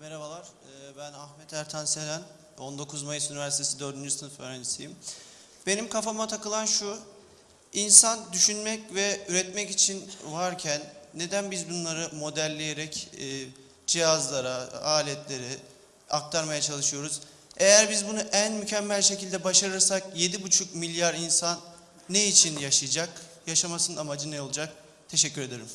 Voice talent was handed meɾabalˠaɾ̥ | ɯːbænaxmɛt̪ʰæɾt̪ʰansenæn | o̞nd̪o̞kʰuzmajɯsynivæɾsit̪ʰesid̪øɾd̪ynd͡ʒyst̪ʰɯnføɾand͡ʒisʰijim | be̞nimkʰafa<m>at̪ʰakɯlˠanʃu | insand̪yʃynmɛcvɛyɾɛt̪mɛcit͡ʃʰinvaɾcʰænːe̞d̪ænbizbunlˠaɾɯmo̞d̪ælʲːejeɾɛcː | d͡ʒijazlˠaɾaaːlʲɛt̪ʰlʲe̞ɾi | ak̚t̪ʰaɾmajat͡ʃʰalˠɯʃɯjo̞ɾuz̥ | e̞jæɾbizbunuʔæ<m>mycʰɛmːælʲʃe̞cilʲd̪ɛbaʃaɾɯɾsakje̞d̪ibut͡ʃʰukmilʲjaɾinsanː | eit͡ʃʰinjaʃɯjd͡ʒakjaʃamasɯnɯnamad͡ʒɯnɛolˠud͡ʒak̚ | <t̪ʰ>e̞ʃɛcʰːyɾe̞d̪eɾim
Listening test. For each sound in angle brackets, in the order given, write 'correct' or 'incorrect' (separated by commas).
correct, incorrect, correct